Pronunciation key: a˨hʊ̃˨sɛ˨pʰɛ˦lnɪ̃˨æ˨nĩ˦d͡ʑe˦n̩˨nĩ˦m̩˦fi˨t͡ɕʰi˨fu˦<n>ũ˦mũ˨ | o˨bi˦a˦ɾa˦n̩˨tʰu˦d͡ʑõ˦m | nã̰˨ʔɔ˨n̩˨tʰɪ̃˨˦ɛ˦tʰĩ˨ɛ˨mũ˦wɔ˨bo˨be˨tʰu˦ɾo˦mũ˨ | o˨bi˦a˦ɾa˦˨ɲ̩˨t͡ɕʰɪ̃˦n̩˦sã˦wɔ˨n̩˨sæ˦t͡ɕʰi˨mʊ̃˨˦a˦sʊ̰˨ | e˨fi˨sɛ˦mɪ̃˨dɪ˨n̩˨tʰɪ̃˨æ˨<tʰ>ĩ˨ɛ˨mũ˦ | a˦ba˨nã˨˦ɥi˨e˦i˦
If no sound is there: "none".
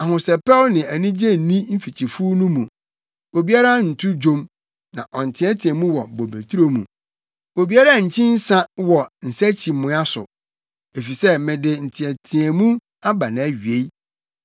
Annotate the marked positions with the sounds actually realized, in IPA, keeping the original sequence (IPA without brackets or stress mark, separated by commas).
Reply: n, tʰ